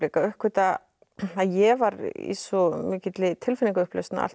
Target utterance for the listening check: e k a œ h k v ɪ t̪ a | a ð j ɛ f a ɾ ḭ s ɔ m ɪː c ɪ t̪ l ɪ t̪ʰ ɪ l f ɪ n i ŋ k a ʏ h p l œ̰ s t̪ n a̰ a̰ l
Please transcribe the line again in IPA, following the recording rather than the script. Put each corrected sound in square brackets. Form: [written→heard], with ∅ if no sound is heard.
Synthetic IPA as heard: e k a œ h k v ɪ t̪ a | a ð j ɛ [f→v] a ɾ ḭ s ɔ m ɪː c ɪ t̪ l ɪ t̪ʰ ɪ l f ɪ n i ŋ k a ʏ h p l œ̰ s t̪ n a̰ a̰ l

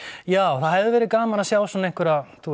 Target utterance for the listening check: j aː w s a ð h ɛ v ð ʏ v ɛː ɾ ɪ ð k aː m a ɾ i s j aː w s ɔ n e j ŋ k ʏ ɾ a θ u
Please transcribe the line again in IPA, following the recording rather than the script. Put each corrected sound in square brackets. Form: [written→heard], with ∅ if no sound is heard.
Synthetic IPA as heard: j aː w [s→θ] a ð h ɛ v ð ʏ v ɛː ɾ ɪ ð k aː m a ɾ [i→a] s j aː w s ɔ n e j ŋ k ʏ ɾ a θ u

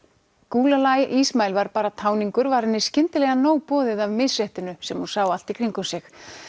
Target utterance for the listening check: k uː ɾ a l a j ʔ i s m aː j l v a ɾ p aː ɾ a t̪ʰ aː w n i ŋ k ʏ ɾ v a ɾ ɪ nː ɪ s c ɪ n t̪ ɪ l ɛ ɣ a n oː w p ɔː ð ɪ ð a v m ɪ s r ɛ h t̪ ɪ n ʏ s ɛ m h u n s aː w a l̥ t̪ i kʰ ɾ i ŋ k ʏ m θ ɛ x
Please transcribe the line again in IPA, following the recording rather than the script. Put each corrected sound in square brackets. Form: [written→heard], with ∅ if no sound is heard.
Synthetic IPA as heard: k uː [ɾ→l] a l a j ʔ i s m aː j l v a ɾ p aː ɾ a t̪ʰ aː w n i ŋ k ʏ ɾ v a ɾ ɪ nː ɪ s c ɪ n t̪ ɪ l ɛ ɣ a n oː w p ɔː ð ɪ ð a v m ɪ s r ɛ h t̪ ɪ n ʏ s ɛ m h u n s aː w a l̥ t̪ i kʰ ɾ i ŋ k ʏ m [θ→s] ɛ x

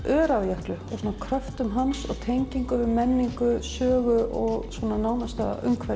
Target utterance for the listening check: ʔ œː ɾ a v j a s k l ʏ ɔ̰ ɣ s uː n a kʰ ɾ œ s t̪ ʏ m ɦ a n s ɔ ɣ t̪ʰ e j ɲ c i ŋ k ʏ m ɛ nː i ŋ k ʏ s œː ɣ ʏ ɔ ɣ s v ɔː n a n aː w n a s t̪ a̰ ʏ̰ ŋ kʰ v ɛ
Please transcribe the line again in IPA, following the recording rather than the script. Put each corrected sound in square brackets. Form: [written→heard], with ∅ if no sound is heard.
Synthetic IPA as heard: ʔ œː ɾ a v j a [s→h] k l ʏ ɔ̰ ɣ s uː n a kʰ ɾ œ [s→f] t̪ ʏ m ɦ a n s ɔ ɣ t̪ʰ e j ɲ c i ŋ k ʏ m ɛ nː i ŋ k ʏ s œː ɣ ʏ ɔ ɣ s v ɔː n a n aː w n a s t̪ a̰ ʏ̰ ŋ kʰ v ɛ

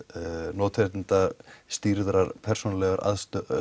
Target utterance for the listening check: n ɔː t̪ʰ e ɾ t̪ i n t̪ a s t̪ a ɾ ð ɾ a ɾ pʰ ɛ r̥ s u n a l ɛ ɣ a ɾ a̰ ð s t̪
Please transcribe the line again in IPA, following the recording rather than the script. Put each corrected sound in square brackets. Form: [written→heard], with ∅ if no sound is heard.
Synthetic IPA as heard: n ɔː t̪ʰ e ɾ t̪ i n t̪ a s t̪ [a→i] ɾ ð ɾ a ɾ pʰ ɛ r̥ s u n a l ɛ ɣ a ɾ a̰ ð s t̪

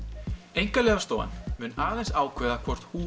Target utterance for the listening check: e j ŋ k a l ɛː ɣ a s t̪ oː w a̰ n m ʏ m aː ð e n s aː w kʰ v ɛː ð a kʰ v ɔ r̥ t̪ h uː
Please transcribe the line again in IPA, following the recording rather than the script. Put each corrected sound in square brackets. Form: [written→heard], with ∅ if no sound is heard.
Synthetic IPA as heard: e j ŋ k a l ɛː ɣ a s t̪ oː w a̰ n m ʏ [m→n] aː ð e n s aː w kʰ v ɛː ð a kʰ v ɔ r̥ t̪ h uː

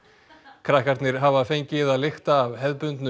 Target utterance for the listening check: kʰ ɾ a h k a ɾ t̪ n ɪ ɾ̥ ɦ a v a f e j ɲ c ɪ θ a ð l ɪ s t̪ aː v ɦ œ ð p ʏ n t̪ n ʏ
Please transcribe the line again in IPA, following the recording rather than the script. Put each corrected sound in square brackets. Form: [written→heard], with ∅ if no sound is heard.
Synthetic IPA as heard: kʰ ɾ a h k a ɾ t̪ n ɪ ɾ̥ ɦ a v a f e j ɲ c ɪ [θ→ð] a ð l ɪ [s→x] t̪ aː v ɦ [œ→ɛ] ð p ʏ n t̪ n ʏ

